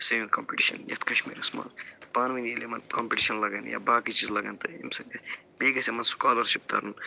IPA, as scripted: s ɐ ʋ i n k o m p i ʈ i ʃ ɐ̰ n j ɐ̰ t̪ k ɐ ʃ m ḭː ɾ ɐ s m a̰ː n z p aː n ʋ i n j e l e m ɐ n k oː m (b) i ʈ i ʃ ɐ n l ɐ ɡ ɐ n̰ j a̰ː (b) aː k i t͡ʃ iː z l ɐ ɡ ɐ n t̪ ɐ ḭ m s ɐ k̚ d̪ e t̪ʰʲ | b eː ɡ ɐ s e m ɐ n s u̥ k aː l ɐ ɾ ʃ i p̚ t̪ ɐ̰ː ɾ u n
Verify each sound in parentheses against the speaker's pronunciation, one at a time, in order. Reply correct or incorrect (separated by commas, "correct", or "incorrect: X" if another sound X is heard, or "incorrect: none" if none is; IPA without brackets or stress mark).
incorrect: p, correct